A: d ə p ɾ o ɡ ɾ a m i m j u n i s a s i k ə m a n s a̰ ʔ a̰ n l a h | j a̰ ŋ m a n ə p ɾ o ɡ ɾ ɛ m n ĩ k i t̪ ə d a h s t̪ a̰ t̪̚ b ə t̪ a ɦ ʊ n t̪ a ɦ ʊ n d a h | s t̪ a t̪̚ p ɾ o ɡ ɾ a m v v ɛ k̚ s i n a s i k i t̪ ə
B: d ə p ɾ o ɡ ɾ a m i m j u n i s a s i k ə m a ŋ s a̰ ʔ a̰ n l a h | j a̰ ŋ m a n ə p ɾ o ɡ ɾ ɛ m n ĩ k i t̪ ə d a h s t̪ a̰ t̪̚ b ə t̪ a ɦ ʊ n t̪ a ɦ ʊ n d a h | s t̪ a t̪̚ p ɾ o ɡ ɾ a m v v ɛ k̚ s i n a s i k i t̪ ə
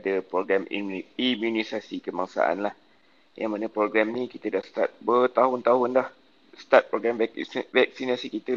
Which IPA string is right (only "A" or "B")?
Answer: B